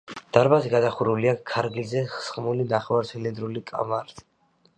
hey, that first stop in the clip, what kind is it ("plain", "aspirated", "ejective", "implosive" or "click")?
plain